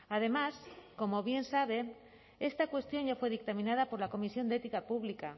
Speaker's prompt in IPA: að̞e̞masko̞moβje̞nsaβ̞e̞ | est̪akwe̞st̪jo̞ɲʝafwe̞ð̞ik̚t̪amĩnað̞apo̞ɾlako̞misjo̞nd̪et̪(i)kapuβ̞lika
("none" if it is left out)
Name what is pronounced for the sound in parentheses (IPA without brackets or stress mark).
i